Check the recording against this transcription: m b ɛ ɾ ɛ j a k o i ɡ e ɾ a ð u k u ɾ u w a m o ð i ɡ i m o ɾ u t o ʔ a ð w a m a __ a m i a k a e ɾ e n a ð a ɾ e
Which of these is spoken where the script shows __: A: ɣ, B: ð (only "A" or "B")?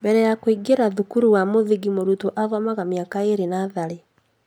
A